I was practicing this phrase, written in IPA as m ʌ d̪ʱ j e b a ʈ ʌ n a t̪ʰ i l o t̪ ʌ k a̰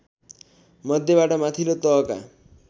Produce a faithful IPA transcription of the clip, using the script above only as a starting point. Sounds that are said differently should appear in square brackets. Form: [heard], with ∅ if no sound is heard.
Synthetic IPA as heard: m ʌ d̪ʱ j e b a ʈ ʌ [m] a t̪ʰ i l o t̪ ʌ k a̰